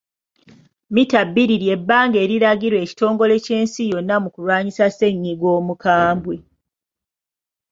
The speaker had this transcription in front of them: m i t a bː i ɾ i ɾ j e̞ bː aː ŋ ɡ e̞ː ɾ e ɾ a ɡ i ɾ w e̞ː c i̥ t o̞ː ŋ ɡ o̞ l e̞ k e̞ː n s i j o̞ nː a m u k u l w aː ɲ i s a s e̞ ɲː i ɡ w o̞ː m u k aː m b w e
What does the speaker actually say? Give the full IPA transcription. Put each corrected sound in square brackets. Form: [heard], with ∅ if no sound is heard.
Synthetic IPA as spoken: m i t a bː i ɾ i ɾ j e̞ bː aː ŋ ɡ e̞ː ɾ [i] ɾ a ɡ i ɾ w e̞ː c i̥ t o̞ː ŋ ɡ o̞ l e̞ [c] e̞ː n s i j o̞ nː a m u k u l w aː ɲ i s a s e̞ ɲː i ɡ w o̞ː m u k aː m b w e